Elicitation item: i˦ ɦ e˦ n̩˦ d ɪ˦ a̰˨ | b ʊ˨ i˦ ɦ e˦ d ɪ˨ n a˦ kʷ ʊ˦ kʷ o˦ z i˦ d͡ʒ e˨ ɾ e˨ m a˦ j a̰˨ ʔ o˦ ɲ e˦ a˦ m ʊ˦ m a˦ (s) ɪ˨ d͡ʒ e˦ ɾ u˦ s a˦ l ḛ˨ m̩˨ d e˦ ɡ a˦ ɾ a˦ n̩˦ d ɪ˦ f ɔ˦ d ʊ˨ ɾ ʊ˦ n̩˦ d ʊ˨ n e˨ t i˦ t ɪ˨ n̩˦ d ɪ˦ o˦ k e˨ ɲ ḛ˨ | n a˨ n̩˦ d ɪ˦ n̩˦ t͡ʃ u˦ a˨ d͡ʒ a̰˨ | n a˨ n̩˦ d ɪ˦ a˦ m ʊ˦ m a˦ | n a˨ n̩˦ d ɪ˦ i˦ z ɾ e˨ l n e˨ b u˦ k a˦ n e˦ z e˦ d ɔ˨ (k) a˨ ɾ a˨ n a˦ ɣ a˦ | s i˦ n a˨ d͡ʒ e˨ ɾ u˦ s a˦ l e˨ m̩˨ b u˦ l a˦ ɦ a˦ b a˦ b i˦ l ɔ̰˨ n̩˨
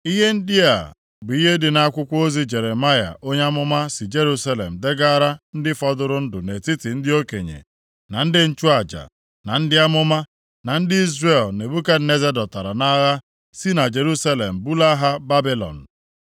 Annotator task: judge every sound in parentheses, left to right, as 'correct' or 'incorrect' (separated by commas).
correct, incorrect